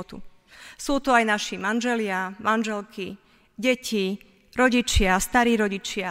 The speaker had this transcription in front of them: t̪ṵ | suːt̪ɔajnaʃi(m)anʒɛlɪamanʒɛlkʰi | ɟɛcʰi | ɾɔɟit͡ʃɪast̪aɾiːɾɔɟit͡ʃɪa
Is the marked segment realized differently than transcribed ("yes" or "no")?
no